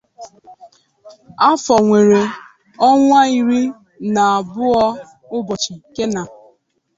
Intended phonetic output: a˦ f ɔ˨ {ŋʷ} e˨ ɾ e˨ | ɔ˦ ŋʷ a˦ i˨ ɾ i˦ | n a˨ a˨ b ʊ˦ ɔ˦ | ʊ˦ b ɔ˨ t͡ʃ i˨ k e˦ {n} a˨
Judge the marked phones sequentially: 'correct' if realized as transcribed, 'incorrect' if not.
correct, correct

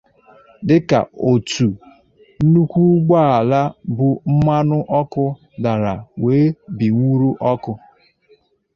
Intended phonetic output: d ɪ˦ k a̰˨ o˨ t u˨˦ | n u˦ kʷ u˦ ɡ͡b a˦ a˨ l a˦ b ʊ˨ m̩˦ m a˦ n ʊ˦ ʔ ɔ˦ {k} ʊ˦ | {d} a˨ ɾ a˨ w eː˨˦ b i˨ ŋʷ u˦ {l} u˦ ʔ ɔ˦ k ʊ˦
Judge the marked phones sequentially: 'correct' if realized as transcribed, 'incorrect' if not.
correct, correct, incorrect

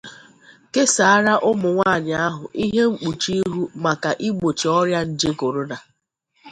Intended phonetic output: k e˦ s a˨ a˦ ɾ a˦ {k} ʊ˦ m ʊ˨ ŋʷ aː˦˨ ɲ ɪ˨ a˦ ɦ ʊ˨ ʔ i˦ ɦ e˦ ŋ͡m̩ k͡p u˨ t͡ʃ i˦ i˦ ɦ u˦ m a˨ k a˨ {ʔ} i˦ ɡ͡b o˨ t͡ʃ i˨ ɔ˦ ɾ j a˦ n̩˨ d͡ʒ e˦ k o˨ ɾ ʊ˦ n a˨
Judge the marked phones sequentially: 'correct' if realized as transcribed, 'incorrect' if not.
incorrect, correct

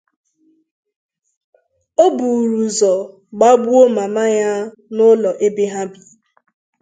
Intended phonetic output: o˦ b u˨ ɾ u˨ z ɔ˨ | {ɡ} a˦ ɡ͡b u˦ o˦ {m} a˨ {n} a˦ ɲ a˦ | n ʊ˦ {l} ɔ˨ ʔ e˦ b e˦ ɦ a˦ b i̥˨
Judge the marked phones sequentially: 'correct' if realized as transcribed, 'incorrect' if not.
incorrect, correct, incorrect, correct

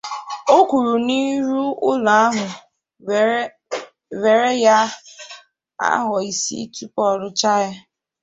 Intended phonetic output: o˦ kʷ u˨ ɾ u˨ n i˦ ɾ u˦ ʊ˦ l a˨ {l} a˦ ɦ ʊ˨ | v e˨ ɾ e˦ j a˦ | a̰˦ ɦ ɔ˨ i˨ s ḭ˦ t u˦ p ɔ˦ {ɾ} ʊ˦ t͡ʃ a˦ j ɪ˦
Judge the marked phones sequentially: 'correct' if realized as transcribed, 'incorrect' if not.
incorrect, correct

